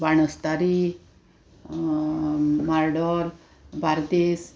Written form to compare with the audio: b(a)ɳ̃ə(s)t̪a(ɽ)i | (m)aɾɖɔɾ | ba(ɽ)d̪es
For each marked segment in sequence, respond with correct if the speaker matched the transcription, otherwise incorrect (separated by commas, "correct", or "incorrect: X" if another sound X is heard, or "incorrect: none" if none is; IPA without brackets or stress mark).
correct, correct, incorrect: ɾ, correct, incorrect: ɾ